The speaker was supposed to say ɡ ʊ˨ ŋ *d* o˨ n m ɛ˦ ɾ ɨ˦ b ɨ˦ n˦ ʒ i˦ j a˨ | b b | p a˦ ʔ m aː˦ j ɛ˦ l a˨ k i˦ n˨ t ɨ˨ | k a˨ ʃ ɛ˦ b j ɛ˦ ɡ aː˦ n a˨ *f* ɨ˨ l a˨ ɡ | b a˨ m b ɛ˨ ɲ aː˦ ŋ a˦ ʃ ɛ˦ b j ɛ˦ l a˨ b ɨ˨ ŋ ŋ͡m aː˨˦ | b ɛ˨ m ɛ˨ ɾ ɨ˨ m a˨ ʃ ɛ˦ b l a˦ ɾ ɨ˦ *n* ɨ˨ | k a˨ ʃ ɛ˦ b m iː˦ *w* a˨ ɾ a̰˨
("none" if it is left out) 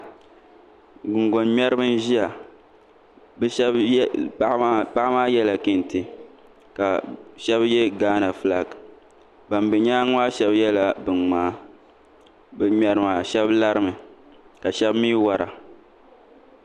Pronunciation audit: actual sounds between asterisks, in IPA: ɡ, f, m, w

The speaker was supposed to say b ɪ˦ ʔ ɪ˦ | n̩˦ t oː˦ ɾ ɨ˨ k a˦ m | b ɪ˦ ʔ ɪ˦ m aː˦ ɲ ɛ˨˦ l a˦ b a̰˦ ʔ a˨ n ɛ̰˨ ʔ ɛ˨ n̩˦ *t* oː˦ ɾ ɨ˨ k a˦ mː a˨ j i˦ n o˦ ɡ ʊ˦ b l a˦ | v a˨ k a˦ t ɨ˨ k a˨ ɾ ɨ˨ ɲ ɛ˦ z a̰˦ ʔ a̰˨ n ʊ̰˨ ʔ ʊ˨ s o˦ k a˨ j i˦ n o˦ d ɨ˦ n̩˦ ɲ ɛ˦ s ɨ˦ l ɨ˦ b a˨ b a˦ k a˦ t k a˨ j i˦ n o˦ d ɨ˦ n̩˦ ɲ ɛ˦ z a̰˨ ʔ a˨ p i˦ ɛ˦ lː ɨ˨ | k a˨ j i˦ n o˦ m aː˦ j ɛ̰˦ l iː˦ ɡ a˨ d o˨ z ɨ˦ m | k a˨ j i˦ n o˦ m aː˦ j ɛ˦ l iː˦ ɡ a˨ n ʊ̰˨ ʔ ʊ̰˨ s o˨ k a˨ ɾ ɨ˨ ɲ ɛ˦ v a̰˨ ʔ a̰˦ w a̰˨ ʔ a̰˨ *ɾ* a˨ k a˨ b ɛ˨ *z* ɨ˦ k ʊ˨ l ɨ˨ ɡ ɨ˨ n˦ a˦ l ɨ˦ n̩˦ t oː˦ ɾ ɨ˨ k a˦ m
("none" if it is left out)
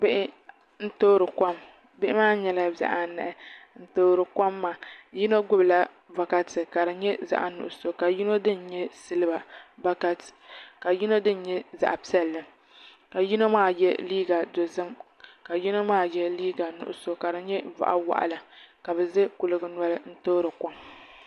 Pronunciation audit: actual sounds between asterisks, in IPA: t, l, z

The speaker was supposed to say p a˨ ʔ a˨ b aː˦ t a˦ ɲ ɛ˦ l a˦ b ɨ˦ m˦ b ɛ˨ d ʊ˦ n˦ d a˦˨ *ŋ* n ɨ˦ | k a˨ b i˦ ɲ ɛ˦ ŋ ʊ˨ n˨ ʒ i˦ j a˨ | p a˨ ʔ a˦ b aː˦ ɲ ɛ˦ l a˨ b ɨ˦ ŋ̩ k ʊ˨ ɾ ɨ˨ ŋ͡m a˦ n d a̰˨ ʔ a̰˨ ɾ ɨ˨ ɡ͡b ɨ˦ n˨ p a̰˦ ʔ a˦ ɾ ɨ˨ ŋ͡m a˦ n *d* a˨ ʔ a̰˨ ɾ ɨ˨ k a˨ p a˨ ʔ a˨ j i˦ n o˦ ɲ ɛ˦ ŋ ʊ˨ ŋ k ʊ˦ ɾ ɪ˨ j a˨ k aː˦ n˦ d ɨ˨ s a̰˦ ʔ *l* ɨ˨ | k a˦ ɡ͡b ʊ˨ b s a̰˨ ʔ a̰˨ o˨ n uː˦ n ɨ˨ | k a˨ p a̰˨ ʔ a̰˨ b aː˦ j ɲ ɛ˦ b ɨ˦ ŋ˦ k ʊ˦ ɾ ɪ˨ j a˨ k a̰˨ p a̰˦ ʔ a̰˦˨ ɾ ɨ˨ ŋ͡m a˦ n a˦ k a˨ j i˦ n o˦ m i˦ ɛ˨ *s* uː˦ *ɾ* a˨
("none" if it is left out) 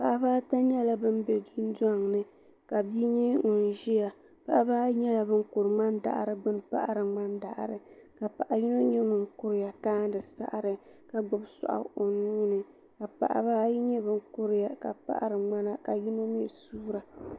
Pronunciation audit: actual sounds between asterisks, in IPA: ŋ, d, ɾ, s, ɾ

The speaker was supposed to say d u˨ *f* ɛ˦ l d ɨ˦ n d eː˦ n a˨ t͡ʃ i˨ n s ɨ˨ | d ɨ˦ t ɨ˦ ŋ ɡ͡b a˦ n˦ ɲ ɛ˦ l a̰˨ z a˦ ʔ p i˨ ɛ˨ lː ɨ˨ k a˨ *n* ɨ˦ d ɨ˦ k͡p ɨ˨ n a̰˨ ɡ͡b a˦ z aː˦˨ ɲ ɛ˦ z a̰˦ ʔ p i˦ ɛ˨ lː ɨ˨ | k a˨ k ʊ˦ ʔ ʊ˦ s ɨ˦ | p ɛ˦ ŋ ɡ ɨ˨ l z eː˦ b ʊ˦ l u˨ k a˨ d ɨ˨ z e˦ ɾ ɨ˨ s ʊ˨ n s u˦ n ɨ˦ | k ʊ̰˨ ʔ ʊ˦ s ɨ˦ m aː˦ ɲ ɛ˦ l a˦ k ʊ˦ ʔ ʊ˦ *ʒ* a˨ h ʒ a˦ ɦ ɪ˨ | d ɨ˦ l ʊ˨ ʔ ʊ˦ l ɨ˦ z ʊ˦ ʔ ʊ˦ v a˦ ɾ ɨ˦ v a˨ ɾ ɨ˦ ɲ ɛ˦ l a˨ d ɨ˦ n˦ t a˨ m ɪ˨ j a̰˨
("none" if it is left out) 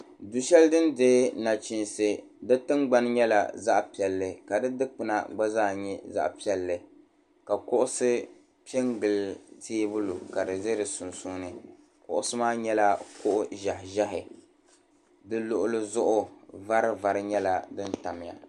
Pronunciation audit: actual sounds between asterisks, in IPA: ʃ, d, ʒ

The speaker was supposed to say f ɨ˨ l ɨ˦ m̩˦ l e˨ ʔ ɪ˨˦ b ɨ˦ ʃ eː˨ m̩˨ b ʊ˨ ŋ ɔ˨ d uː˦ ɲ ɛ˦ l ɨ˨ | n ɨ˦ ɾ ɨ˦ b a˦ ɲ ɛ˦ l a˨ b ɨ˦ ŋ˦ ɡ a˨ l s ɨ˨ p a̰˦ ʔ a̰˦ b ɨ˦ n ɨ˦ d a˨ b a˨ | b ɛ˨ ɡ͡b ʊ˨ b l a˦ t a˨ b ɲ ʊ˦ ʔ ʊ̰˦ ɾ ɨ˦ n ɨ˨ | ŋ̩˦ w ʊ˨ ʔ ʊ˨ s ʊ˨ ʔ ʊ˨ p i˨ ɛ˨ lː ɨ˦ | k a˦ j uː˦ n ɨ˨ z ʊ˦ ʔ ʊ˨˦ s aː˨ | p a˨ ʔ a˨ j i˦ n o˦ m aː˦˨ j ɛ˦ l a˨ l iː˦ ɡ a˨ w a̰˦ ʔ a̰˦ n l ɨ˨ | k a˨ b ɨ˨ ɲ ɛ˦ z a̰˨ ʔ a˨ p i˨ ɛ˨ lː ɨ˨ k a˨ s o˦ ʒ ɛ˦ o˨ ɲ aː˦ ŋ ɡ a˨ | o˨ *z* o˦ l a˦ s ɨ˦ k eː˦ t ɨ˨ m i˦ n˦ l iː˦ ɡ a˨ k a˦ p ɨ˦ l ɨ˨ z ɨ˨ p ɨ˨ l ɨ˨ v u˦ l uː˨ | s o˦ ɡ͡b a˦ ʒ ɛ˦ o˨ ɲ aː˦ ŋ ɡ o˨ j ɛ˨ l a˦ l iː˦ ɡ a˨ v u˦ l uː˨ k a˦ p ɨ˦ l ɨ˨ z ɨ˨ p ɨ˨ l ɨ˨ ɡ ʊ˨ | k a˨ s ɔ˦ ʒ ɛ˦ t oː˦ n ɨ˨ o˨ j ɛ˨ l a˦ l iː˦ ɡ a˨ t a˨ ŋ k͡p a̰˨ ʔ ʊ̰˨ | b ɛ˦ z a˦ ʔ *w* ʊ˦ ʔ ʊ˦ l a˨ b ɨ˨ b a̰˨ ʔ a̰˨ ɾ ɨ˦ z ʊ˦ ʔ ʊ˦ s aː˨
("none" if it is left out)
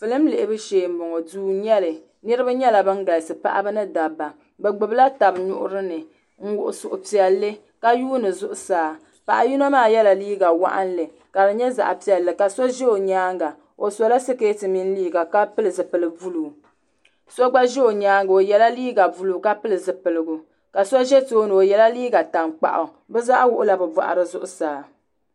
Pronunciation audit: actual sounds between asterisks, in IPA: s, w

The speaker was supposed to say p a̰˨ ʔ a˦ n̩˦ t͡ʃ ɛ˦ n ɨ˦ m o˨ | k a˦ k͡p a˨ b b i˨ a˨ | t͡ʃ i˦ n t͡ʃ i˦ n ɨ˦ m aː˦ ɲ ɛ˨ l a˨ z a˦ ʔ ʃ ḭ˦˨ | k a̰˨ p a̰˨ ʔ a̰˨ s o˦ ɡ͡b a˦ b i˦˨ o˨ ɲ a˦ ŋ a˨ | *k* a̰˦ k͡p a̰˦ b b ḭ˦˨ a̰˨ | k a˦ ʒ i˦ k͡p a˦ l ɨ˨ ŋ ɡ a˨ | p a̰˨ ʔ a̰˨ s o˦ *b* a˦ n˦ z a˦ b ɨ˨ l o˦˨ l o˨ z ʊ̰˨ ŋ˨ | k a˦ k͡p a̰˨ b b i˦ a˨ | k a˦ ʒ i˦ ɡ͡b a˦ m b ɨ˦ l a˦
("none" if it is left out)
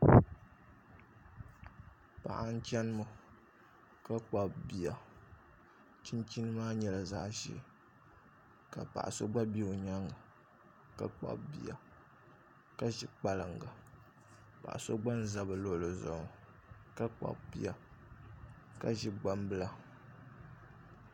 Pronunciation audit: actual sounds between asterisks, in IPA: k, ɡ͡b

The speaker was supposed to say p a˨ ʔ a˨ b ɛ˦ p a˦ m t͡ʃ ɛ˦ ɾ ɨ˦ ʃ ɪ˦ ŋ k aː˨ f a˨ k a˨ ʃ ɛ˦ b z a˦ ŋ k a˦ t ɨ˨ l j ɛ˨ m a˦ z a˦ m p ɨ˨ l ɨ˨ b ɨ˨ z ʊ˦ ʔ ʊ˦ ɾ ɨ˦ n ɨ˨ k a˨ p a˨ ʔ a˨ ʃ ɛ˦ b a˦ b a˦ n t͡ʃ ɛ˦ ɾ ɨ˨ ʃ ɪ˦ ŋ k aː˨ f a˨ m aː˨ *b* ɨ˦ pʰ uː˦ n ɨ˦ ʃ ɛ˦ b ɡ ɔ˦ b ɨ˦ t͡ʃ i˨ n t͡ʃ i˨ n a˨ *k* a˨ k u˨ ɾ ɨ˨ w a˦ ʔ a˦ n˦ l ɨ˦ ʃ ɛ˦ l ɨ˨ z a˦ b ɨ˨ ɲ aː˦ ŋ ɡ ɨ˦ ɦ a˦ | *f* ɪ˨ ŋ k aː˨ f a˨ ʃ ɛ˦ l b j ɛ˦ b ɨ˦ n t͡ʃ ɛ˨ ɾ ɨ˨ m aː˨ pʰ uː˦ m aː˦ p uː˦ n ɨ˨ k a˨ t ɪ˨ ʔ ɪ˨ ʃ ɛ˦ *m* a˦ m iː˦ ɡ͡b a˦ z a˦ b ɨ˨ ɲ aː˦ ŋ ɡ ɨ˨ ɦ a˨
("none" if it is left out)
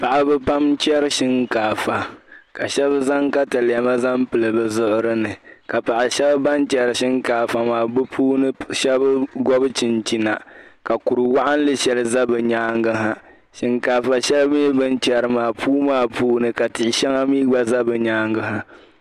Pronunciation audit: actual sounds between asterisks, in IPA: b, k, ʃ, ŋ

